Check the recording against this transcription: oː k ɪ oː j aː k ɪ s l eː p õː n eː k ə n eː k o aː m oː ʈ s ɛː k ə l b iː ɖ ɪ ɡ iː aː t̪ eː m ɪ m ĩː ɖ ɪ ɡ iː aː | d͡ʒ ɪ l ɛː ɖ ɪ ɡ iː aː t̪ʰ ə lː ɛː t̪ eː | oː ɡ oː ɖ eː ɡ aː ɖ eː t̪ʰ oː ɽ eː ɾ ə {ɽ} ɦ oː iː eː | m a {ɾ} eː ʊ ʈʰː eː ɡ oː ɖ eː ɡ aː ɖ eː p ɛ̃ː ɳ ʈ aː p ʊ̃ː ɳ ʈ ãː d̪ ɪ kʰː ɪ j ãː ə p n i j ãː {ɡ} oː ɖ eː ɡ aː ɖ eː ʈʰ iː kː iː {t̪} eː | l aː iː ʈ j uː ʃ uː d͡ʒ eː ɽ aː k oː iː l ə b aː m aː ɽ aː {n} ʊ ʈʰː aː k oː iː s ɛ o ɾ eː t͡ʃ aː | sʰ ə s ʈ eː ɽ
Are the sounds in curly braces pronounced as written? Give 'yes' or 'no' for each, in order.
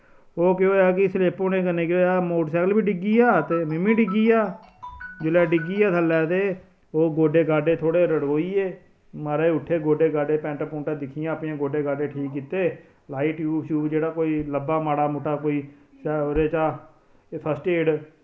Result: yes, yes, yes, yes, no

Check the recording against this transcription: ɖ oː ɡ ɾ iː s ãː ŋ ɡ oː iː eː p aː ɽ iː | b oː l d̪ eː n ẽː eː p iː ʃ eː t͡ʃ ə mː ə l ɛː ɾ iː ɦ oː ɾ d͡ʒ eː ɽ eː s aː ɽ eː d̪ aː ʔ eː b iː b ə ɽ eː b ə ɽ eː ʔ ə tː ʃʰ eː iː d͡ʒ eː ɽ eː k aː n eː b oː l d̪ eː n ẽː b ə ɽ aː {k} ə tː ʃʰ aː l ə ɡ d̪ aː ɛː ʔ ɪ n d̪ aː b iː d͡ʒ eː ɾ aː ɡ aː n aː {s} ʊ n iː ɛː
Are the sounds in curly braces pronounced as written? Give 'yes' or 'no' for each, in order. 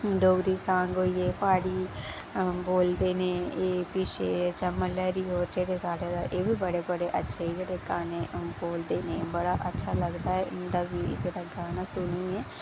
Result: no, yes

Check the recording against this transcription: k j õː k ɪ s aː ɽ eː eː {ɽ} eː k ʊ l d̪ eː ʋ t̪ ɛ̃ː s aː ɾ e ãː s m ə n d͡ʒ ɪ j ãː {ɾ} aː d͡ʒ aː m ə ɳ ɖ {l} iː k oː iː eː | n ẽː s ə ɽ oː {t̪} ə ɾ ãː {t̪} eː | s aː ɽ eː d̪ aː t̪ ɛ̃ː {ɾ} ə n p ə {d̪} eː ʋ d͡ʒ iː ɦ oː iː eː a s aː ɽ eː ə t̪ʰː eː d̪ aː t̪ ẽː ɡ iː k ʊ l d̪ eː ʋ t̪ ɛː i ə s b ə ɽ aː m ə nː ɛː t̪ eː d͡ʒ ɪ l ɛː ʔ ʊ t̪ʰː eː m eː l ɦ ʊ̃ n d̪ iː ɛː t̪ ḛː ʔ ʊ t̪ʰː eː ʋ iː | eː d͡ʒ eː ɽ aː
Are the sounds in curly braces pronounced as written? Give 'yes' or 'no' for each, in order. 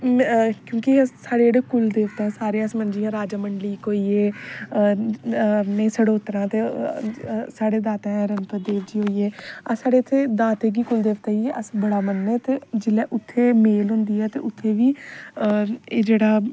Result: yes, yes, yes, yes, yes, yes, yes

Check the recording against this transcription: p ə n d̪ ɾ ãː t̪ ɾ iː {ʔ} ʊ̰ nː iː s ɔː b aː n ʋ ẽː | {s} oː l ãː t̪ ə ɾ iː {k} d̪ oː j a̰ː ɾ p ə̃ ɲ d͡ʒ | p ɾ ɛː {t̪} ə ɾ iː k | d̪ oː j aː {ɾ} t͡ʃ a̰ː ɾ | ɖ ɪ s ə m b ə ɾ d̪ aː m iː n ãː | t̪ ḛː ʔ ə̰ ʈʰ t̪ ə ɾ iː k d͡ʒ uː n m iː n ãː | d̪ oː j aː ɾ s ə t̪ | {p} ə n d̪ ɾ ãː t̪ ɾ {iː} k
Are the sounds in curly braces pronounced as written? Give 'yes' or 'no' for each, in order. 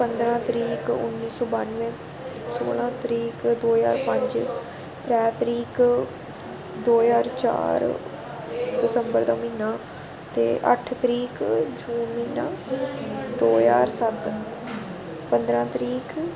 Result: no, yes, yes, yes, yes, yes, yes

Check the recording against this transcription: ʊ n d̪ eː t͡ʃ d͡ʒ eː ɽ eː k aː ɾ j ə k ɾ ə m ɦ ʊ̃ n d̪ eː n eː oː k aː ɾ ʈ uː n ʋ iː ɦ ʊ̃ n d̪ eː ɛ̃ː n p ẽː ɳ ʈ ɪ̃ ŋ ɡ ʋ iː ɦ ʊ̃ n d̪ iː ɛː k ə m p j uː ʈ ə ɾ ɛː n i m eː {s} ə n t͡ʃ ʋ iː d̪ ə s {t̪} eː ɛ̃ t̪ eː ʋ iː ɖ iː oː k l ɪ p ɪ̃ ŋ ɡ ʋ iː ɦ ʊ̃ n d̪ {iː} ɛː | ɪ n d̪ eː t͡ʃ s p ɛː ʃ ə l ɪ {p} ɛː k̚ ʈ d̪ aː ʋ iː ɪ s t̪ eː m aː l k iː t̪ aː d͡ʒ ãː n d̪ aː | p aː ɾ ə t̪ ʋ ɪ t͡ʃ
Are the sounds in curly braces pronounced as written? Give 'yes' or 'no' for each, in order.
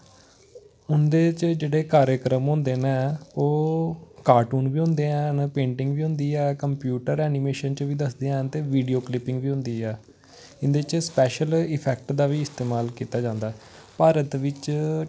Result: no, no, yes, no

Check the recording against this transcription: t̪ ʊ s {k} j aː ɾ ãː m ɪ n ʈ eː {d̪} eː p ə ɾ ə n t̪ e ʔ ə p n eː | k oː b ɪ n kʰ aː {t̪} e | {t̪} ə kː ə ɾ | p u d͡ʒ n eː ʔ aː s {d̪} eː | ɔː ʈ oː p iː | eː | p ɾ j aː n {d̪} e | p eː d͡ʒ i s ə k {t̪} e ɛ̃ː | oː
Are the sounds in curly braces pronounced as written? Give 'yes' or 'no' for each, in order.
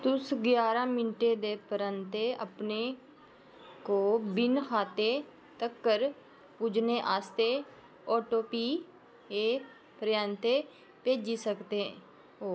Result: no, yes, yes, yes, no, no, yes

